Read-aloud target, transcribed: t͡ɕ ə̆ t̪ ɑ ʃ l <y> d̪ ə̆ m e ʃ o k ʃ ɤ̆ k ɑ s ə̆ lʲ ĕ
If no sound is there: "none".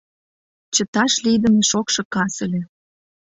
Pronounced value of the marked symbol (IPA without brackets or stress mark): i